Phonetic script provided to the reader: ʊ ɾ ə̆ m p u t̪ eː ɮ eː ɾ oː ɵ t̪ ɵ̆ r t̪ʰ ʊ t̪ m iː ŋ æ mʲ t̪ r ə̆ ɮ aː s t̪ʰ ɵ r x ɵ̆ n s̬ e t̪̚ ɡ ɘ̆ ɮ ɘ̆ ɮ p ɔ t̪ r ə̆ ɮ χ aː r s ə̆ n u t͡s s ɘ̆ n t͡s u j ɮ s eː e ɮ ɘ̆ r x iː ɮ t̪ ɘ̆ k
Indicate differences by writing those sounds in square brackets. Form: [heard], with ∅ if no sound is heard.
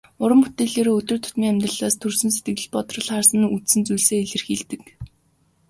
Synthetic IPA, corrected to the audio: ʊ ɾ ə̆ m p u t̪ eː ɮ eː ɾ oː ɵ t̪ ɵ̆ r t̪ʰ ʊ t̪ m iː ŋ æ mʲ t̪ r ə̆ ɮ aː s t̪ʰ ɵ r [s] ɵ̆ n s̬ e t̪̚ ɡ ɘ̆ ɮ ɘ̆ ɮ p ɔ t̪ r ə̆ ɮ χ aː r s ə̆ n u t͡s s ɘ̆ n t͡s u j ɮ s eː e ɮ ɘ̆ r x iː ɮ t̪ ɘ̆ k